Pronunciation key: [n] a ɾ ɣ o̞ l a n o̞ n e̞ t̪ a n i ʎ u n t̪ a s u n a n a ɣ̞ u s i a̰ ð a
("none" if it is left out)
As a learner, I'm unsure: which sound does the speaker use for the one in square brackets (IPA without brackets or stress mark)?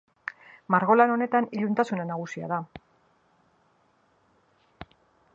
m